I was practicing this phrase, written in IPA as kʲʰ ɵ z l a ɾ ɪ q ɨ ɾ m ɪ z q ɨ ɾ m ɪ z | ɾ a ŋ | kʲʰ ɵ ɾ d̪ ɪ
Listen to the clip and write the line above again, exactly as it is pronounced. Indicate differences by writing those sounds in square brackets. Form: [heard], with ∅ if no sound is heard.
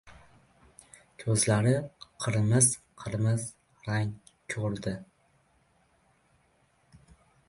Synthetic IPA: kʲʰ ɵ z l a ɾ ɪ [qʰ] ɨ ɾ m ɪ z [qʰ] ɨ ɾ m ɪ z | ɾ a ŋ | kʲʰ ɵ ɾ d̪ ɪ